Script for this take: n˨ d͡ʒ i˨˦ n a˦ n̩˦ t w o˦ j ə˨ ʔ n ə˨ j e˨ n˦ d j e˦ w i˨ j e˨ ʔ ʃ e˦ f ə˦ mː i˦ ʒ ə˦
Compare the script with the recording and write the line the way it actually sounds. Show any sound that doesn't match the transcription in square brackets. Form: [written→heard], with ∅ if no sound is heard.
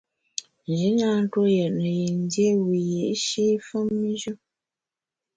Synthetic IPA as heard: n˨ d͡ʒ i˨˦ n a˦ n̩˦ t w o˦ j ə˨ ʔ n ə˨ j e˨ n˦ d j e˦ w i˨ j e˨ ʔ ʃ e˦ f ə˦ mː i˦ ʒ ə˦